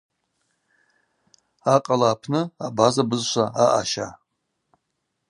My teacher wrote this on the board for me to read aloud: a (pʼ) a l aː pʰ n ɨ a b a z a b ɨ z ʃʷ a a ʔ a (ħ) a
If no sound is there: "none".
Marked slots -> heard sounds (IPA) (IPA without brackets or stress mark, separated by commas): qʼ, ʃ